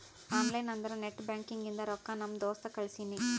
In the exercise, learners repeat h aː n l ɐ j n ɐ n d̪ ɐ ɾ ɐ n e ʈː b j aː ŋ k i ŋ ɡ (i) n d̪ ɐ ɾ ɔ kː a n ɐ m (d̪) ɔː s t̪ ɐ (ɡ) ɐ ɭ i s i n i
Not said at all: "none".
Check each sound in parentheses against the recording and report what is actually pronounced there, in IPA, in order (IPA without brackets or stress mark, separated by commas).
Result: i, d̪, k